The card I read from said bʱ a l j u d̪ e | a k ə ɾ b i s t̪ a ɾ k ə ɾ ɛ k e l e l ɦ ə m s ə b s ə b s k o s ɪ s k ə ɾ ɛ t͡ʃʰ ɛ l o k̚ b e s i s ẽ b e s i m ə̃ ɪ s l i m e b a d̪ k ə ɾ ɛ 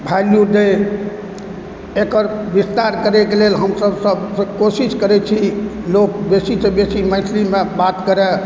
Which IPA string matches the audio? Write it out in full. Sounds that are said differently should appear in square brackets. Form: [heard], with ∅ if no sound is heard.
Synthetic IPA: bʱ a l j u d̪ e | [e] k ə ɾ b i s t̪ a ɾ k ə ɾ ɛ k e l e l ɦ ə m s ə b s ə b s k o s [i] s k ə ɾ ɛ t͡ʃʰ [i] l o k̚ b e s i s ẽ b e s i m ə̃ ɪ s l i m e b a [t̪] k ə ɾ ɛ